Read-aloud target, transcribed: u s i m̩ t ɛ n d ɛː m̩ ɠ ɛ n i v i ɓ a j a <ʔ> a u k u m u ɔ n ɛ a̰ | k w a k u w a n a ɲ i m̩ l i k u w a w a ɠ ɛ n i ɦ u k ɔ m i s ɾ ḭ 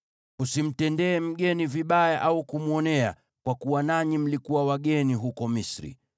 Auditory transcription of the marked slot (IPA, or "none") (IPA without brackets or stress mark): ʔ